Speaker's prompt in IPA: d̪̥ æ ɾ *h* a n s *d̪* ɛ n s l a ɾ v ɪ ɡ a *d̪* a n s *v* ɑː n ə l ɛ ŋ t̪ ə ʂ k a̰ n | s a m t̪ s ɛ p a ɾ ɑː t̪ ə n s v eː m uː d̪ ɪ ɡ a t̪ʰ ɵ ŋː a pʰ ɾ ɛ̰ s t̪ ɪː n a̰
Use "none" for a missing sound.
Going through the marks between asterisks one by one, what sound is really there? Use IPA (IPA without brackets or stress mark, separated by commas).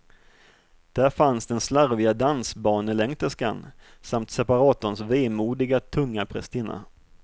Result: f, d̪, d̪, b